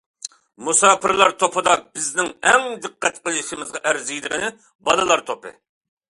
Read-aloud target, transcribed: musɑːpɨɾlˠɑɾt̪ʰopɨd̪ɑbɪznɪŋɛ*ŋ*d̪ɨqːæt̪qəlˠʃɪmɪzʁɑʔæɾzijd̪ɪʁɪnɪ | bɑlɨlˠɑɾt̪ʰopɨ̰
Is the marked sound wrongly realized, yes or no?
no